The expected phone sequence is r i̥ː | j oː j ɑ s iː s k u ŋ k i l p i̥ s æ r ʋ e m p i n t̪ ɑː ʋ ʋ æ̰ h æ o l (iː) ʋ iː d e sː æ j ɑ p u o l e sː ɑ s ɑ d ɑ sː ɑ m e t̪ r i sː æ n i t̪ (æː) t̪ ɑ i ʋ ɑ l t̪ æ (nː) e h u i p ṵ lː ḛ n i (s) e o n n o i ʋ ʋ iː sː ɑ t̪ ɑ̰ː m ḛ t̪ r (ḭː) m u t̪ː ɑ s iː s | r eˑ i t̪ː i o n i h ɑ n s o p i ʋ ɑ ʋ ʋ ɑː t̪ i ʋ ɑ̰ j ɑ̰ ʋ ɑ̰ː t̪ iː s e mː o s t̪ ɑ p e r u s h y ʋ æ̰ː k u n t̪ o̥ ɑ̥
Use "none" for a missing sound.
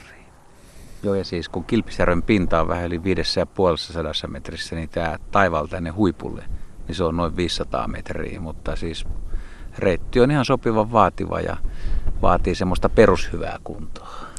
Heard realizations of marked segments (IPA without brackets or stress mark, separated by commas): i, æː, nː, s, ḭː